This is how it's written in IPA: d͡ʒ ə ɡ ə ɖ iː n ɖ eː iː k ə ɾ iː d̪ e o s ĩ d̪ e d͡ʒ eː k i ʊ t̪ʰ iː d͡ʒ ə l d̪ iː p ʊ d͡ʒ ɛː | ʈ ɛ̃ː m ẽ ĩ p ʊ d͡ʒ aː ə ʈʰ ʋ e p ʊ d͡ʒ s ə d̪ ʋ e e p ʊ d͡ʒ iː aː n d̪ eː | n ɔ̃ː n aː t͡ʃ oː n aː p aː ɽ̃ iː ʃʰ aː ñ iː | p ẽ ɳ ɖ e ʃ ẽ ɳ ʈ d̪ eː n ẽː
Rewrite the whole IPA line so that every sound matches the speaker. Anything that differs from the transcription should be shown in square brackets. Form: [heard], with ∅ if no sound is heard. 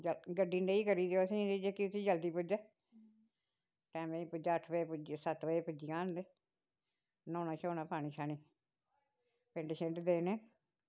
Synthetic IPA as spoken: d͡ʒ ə ɡ ə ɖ iː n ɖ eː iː k ə ɾ iː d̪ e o s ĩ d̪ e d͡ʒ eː k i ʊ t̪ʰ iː d͡ʒ ə l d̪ iː p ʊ d͡ʒ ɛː | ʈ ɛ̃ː m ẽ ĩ p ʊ d͡ʒ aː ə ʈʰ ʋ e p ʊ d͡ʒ s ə [t̪] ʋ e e p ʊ d͡ʒ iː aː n d̪ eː | n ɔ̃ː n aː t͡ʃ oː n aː p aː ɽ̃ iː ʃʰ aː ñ iː | p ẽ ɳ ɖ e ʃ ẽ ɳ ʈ d̪ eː n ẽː